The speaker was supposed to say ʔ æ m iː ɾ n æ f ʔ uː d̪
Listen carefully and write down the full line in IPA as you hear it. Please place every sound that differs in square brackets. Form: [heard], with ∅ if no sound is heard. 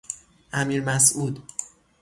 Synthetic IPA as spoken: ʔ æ m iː ɾ [m] æ [s] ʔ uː d̪